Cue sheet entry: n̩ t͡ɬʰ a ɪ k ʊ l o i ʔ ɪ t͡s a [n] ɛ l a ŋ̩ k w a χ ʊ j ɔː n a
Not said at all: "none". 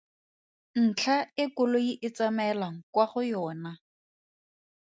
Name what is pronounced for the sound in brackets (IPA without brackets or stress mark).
m